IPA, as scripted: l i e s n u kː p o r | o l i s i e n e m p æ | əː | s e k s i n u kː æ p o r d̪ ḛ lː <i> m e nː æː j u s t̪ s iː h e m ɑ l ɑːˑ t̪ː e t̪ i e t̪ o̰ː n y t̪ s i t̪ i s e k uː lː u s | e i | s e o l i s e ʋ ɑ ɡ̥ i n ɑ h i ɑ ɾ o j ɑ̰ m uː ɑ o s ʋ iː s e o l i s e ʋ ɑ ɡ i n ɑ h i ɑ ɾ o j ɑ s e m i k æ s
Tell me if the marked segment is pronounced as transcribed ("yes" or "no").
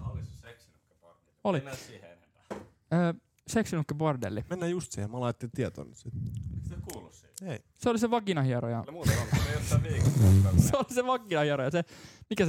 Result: yes